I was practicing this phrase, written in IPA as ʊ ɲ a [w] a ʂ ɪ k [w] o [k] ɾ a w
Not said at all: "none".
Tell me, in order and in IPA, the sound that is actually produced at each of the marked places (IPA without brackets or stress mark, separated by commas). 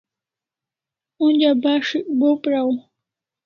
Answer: b, b, p